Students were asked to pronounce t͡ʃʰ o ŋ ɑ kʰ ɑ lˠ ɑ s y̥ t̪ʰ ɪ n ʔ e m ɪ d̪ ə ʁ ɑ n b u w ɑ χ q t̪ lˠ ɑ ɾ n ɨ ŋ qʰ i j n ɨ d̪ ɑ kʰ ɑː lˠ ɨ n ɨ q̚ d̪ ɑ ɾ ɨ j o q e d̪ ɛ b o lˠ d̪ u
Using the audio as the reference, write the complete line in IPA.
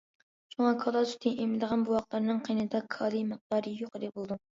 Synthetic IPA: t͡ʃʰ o ŋ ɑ kʰ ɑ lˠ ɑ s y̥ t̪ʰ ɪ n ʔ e m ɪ d̪ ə ʁ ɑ n b u w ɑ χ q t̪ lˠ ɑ ɾ n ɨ ŋ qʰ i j n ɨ d̪ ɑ kʰ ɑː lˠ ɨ m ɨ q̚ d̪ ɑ ɾ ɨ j o q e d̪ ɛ b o lˠ d̪ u

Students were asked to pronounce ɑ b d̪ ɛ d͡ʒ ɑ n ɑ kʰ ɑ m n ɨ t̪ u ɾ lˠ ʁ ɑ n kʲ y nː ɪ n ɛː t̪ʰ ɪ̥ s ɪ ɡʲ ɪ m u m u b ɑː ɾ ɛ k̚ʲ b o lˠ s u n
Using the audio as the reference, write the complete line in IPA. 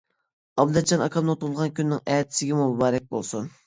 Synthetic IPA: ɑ b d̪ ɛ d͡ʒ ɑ n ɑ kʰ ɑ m n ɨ t̪ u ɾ lˠ ʁ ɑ n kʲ y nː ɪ ŋ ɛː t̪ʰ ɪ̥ s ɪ ɡʲ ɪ m u m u b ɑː ɾ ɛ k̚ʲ b o lˠ s u n

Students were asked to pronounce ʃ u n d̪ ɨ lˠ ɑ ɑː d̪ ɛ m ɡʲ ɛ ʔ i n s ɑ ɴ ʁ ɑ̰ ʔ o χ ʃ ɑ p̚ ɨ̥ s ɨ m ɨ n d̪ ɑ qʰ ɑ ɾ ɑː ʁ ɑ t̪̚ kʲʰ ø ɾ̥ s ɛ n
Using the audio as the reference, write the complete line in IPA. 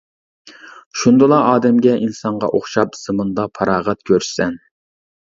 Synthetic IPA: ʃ u n d̪ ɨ lˠ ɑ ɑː d̪ ɛ m ɡʲ ɛ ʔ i n s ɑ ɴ ʁ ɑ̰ ʔ o χ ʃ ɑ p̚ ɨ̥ s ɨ m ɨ n d̪ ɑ pʰ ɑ ɾ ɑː ʁ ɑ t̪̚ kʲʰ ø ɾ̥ s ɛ n

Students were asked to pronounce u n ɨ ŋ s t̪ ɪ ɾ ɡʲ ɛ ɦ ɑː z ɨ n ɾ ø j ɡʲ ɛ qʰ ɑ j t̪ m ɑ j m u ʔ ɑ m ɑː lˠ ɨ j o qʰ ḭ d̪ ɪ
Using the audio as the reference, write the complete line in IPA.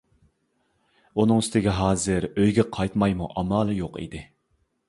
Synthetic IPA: u n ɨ ŋ s t̪ ɪ ɡʲ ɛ ɦ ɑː z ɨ ɾ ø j ɡʲ ɛ qʰ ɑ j t̪ m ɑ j m u ʔ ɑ m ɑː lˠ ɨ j o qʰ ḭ d̪ ɪ

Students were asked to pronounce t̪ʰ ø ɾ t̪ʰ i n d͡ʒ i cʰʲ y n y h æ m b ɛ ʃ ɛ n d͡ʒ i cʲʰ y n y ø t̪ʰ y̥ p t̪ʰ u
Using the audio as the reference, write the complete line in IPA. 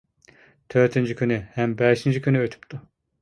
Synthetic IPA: t̪ʰ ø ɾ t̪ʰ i n d͡ʒ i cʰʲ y n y h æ m b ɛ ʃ i n d͡ʒ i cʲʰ y n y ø t̪ʰ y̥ p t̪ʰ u

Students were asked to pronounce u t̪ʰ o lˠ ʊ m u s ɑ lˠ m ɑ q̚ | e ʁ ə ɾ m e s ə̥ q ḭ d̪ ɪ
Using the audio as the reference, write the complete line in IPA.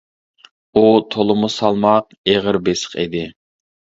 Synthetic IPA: u t̪ʰ o lˠ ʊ m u s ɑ lˠ m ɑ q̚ | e ʁ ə ɾ b e s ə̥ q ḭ d̪ ɪ

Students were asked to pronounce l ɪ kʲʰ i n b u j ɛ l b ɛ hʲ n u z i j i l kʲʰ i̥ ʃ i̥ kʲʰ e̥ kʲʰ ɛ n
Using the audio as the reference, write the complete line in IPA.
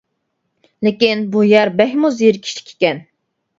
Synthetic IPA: l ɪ kʲ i n b u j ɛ ɾ b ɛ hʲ m u z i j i ɾ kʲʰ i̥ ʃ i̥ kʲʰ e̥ kʲ ɛ n

